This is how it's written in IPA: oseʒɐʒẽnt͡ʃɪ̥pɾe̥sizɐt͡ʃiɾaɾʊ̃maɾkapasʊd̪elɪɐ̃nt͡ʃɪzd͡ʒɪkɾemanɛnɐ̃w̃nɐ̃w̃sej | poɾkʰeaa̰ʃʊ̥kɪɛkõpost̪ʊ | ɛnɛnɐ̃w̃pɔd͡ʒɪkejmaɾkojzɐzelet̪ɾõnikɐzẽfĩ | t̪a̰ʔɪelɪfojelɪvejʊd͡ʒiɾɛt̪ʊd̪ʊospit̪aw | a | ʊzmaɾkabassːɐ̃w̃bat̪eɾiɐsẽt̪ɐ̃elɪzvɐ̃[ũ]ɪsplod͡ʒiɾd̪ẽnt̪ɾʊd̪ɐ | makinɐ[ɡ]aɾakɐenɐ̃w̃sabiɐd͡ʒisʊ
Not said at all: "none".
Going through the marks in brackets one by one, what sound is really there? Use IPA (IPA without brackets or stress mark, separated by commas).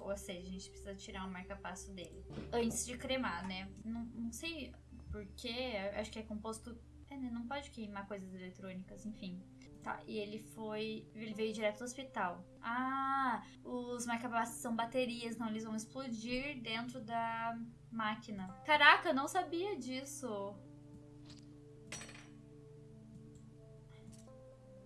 w̃, k